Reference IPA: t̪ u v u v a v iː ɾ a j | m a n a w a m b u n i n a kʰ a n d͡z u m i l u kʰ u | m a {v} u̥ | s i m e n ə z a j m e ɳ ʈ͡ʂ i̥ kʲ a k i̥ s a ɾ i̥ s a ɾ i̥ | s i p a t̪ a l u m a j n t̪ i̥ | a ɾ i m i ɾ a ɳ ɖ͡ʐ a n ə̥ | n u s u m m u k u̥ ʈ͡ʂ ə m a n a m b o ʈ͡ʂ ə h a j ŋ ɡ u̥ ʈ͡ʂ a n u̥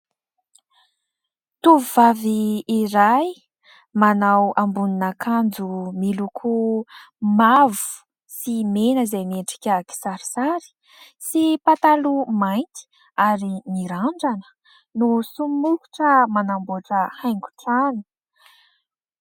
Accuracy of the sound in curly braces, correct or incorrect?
correct